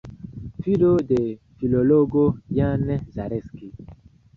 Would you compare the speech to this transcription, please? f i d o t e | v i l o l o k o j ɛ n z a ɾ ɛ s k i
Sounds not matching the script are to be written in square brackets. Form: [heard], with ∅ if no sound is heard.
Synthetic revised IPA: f i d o [d] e | [f] i l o l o [ɡ] o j [a] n z a ɾ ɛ s k i